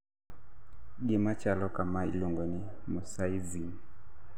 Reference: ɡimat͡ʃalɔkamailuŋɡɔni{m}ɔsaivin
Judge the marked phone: correct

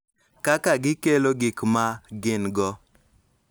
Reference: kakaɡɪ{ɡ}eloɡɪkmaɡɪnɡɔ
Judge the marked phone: incorrect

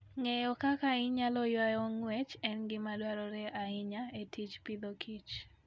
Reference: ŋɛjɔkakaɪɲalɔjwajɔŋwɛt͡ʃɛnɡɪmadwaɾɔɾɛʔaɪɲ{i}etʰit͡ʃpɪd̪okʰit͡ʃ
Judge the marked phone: incorrect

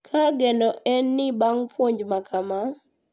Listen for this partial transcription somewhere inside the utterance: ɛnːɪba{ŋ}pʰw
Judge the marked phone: correct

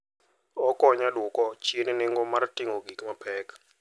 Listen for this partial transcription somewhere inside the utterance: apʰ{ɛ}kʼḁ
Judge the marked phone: incorrect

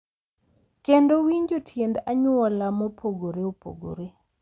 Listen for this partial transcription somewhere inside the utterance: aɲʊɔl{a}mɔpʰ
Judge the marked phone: correct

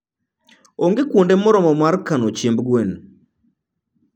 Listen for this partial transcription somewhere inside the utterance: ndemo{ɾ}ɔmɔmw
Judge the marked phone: correct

